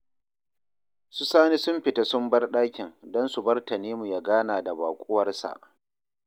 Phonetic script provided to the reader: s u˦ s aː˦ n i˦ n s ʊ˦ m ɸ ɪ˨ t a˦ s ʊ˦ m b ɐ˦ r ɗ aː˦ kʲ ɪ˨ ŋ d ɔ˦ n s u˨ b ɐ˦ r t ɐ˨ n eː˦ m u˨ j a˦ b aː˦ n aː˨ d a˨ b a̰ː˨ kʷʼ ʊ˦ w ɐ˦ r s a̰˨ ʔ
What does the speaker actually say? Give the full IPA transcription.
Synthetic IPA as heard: s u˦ s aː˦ n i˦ s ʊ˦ m ɸ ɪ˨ t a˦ s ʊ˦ m b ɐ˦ r ɗ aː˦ kʲ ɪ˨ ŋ d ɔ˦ n s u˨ b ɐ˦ r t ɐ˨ n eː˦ m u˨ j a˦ ɡ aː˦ n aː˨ d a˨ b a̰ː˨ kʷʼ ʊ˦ w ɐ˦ r s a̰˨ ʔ